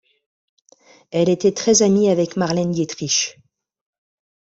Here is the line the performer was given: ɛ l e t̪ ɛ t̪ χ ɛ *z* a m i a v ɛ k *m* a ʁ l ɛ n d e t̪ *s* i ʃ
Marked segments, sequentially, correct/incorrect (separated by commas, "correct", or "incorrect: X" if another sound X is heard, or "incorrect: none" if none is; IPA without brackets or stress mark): correct, correct, incorrect: χ